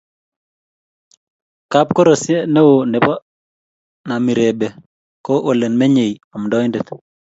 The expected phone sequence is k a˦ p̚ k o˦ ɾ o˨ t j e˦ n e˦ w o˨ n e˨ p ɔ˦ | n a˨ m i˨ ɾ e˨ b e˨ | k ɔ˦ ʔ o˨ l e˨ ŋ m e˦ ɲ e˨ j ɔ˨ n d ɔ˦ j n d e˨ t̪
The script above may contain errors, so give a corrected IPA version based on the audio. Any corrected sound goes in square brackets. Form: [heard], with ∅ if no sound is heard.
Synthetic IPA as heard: k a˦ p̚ k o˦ ɾ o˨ [s] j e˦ n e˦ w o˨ n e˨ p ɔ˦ | n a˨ m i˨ ɾ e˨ b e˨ | k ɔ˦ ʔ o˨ l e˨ [n] m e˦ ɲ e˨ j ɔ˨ [m] d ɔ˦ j n d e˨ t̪